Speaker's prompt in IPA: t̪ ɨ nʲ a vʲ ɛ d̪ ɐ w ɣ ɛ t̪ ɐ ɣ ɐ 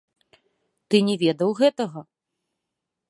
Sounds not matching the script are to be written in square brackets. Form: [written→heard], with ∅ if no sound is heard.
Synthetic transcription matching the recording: t̪ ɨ nʲ [a→ɛ] vʲ ɛ d̪ ɐ w ɣ ɛ t̪ ɐ ɣ ɐ